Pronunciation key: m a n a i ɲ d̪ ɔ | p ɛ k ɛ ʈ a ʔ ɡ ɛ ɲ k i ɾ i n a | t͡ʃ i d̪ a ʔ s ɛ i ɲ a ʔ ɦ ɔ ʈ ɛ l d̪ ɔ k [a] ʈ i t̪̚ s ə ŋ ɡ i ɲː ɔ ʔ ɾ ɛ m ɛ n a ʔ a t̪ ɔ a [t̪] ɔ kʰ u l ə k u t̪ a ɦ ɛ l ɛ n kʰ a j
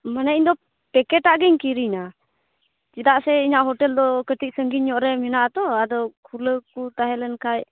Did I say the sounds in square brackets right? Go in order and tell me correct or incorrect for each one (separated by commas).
incorrect, incorrect